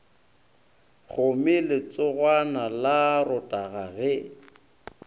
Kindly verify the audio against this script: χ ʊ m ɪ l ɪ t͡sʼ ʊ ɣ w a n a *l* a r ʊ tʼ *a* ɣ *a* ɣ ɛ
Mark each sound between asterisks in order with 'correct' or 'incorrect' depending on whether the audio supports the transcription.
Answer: correct, correct, correct

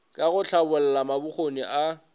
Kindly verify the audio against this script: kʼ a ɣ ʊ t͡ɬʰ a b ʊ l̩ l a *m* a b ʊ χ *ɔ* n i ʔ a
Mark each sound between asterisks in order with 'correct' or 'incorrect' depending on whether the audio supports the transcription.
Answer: correct, incorrect: o

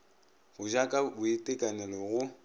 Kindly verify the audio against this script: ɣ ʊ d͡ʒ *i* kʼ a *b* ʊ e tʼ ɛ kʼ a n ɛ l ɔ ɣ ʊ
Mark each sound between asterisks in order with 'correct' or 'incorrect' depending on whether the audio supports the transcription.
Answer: incorrect: a, correct

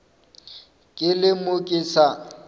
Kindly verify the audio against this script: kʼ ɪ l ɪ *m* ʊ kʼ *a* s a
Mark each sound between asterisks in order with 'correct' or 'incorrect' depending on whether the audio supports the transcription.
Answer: correct, incorrect: i

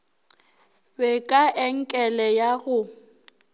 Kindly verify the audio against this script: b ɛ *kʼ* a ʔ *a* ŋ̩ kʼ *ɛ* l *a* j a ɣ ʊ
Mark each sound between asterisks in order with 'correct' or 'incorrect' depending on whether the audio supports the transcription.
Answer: correct, incorrect: ɛ, correct, incorrect: ɛ

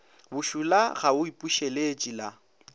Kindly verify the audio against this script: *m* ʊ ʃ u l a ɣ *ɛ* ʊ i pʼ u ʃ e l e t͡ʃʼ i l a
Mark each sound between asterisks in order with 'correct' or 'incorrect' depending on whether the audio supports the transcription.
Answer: incorrect: b, incorrect: a

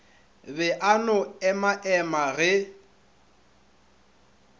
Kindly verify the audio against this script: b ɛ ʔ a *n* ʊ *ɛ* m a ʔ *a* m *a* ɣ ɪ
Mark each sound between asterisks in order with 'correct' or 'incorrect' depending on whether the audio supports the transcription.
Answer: correct, correct, incorrect: ɛ, correct

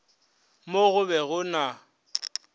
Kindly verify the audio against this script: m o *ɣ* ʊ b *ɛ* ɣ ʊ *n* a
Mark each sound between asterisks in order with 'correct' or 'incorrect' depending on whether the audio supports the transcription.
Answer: correct, correct, correct

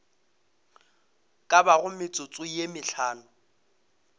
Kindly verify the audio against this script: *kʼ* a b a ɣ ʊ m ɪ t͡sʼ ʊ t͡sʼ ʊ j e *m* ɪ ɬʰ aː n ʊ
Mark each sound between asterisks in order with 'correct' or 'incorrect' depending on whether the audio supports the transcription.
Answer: correct, correct

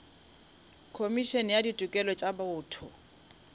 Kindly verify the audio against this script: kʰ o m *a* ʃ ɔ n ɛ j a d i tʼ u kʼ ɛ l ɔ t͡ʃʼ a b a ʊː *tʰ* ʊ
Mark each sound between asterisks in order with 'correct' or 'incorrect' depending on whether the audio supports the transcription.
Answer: incorrect: i, correct

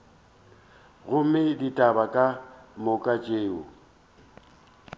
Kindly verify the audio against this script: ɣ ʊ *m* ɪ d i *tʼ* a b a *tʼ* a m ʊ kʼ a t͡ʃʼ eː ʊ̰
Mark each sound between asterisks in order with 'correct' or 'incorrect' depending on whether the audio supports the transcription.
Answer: correct, correct, incorrect: kʼ

